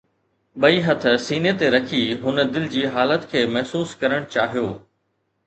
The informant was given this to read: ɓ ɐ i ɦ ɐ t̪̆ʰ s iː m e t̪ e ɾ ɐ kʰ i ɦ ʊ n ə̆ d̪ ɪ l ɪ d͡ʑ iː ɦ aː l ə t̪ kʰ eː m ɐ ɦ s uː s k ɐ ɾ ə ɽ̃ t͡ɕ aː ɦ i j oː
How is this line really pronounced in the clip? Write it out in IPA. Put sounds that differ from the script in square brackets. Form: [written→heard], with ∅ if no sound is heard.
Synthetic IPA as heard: ɓ ɐ i ɦ ɐ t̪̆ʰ s iː [m→n] e t̪ e ɾ ɐ kʰ i ɦ ʊ n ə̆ d̪ ɪ l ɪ d͡ʑ iː ɦ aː l ə t̪ kʰ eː m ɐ ɦ s uː s k ɐ ɾ ə ɽ̃ t͡ɕ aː ɦ i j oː

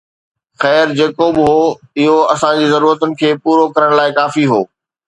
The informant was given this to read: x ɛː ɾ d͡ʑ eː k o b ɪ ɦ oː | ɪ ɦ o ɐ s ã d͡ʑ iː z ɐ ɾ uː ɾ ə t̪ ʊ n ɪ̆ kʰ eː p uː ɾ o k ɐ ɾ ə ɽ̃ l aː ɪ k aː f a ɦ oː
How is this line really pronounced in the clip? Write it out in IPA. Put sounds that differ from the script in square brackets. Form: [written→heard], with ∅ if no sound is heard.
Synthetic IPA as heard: x ɛː ɾ d͡ʑ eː k o b ɪ ɦ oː | ɪ ɦ o ɐ s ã d͡ʑ iː z ɐ ɾ uː ɾ ə t̪ ʊ n ɪ̆ kʰ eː p uː ɾ o k ɐ ɾ ə ɽ̃ l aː ɪ k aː f [a→i] ɦ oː

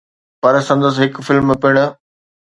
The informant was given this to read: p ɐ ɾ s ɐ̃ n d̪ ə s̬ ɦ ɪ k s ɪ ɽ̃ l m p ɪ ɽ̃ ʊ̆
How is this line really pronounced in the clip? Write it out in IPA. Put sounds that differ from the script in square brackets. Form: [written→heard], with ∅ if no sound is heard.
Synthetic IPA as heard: p ɐ ɾ s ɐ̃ n d̪ ə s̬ ɦ ɪ k [s→f] ɪ [ɽ̃→∅] l m p ɪ ɽ̃ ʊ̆

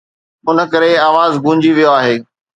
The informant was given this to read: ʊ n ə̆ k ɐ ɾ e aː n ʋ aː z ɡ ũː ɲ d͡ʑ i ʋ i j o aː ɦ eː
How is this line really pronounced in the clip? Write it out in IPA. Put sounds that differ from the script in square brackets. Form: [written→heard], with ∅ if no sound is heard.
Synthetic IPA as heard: ʊ n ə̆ k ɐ ɾ e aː [n→∅] ʋ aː z ɡ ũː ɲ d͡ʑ i ʋ i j o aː ɦ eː

